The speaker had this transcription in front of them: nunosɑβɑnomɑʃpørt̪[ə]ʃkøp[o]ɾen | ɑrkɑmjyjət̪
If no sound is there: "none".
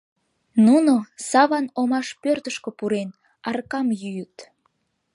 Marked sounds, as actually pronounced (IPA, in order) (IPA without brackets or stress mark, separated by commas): ə, u